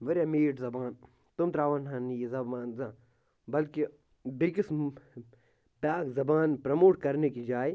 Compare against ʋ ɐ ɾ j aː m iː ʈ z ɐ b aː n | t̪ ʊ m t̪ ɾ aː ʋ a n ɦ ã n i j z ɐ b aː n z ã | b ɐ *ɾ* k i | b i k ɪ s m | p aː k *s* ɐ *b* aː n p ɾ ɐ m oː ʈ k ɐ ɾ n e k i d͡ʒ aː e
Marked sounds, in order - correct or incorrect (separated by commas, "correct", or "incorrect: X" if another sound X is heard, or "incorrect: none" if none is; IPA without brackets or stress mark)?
incorrect: l, incorrect: z, correct